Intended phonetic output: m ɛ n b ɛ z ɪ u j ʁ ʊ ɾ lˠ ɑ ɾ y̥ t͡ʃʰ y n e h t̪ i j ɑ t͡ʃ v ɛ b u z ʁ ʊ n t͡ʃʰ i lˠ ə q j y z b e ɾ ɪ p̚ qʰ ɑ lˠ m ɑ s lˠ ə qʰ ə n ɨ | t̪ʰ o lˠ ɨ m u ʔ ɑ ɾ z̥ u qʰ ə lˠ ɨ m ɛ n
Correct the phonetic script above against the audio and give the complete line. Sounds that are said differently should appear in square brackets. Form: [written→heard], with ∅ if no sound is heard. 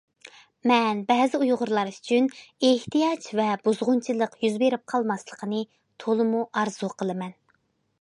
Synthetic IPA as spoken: m ɛ n b ɛ z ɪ u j ʁ ʊ ɾ lˠ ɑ ɾ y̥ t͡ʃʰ y n e h t̪ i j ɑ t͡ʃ v ɛ b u z ʁ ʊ n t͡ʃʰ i lˠ ə q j y z b e ɾ ɪ p̚ qʰ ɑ lˠ m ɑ s lˠ ə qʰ ə n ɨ | t̪ʰ o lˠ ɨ m u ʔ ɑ ɾ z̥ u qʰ ə lˠ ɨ m ɛ n